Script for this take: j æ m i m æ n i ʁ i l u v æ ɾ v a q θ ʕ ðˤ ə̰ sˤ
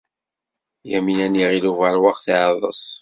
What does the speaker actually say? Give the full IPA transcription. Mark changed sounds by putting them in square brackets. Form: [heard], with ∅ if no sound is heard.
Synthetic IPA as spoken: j æ m i [n] æ n i ʁ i l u v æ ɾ [w] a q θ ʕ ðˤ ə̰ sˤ